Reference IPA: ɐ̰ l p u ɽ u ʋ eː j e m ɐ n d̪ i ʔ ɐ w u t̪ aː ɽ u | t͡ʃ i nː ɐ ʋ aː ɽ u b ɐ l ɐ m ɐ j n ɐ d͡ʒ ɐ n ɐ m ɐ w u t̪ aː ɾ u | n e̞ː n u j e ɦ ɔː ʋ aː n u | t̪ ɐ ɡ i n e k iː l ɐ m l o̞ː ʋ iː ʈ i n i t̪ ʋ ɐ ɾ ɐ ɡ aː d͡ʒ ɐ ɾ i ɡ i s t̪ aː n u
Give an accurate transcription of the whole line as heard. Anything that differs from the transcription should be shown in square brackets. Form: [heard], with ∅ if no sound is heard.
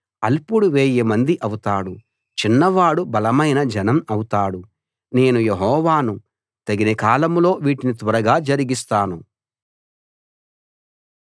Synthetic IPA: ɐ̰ l p u ɽ u ʋ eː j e m ɐ n d̪ i ʔ ɐ w u t̪ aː ɽ u | t͡ʃ i nː ɐ ʋ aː ɽ u b ɐ l ɐ m ɐ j n ɐ d͡ʒ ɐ n ɐ m ɐ w u t̪ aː [ɽ] u | n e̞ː n u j e ɦ ɔː ʋ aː n u | t̪ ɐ ɡ i n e k [aː] l ɐ m l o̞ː ʋ iː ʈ i n i t̪ ʋ ɐ ɾ ɐ ɡ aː d͡ʒ ɐ ɾ i ɡ i s t̪ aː n u